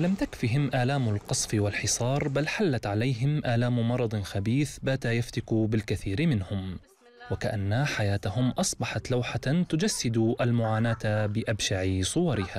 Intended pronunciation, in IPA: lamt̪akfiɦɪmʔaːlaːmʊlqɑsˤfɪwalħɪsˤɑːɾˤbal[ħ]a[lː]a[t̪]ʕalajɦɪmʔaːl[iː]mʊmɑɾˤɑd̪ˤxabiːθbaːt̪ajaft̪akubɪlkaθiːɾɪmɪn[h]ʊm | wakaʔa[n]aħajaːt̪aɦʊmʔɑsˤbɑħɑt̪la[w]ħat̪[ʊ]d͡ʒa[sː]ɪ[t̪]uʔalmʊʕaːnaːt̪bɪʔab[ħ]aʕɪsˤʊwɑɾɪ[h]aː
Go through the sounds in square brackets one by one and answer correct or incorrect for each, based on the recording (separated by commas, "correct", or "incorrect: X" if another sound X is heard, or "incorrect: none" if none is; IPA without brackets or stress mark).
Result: correct, correct, correct, incorrect: aː, correct, incorrect: nː, correct, correct, correct, incorrect: d̪, incorrect: ʃ, correct